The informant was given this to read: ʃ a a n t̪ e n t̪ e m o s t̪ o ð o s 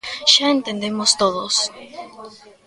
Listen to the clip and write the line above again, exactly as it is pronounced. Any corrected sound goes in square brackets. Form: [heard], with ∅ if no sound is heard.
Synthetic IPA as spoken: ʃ a [e] n t̪ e n [d̪] e m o s t̪ o ð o s